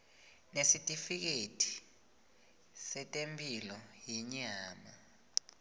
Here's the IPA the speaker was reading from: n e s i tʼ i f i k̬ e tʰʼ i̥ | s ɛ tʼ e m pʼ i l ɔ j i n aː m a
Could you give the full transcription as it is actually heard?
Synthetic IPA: n e s i tʼ i f i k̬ e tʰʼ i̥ | s ɛ tʼ e m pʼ i l ɔ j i ɲ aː m a